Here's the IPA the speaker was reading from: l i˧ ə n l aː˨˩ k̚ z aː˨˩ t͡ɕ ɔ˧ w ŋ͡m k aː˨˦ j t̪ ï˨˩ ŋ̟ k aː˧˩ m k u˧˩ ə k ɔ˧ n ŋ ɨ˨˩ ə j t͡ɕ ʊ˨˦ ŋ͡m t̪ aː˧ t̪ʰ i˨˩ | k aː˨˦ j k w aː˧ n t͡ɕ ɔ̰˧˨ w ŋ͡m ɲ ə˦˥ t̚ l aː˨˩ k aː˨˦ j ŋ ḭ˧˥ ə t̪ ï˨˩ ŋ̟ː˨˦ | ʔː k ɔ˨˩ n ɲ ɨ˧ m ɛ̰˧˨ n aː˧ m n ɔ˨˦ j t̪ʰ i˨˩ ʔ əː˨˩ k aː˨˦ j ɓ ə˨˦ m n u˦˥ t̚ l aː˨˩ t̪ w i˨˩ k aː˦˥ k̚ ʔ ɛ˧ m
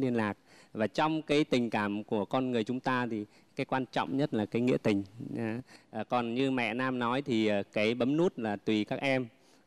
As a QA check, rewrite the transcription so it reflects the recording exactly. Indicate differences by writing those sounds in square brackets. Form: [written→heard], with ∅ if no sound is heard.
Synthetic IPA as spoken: l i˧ ə n l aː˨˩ k̚ [z→v] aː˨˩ t͡ɕ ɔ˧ w ŋ͡m k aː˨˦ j t̪ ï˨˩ ŋ̟ k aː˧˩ m k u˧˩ ə k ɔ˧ n ŋ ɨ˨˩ ə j t͡ɕ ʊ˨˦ ŋ͡m t̪ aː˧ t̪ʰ i˨˩ | k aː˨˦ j k w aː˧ n t͡ɕ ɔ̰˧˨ w ŋ͡m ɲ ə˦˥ t̚ l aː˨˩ k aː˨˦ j ŋ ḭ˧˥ ə t̪ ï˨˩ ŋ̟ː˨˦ | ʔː k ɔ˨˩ n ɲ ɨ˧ m ɛ̰˧˨ n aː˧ m n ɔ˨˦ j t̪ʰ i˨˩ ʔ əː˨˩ k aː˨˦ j ɓ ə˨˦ m n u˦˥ t̚ l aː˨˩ t̪ w i˨˩ k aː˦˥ k̚ ʔ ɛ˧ m

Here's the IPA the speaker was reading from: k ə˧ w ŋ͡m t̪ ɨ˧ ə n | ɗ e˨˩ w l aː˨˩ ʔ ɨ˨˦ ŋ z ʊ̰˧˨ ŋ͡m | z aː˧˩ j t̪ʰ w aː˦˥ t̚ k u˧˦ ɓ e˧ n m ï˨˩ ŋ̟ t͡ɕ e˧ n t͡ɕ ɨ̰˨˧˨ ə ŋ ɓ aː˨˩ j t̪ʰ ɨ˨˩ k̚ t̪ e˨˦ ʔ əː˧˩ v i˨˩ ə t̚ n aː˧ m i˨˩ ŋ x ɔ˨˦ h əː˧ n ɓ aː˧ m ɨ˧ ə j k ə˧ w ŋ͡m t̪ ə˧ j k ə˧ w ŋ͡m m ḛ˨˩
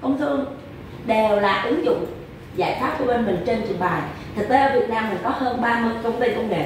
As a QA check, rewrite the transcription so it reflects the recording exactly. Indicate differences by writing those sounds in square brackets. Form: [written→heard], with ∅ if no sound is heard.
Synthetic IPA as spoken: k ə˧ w ŋ͡m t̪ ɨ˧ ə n | ɗ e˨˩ w l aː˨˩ ʔ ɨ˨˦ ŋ z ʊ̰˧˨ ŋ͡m | z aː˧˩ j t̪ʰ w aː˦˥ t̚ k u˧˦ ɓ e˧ n m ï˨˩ ŋ̟ t͡ɕ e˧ n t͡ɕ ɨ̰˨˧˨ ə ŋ ɓ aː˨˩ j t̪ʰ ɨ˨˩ k̚ t̪ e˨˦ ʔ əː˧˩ v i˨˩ ə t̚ n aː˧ m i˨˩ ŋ [x→k] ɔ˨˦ h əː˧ n ɓ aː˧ m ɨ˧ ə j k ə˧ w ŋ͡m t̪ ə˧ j k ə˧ w ŋ͡m [m→ŋ] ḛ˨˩

